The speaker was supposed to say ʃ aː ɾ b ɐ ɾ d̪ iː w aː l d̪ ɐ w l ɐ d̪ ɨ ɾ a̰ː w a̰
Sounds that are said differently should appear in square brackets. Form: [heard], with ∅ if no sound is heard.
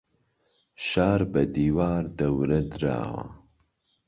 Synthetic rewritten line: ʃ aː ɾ b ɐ [∅] d̪ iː w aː [ɾ] d̪ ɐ w [ɾ] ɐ d̪ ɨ ɾ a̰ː w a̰